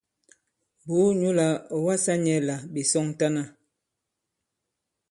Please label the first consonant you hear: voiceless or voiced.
voiced